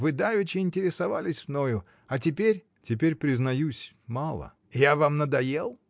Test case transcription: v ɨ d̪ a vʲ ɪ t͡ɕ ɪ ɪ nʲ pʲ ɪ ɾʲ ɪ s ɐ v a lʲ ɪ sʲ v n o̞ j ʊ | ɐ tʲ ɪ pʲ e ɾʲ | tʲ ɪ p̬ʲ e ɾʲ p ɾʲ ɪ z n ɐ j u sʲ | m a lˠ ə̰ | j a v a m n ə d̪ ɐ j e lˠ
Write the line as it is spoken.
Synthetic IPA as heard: v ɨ d̪ a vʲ ɪ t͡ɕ ɪ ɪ nʲ tʲ ɪ ɾʲ ɪ s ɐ v a lʲ ɪ sʲ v n o̞ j ʊ | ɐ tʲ ɪ pʲ e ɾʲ | tʲ ɪ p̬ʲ e ɾʲ p ɾʲ ɪ z n ɐ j u sʲ | m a lˠ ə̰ | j a v a m n ə d̪ ɐ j e lˠ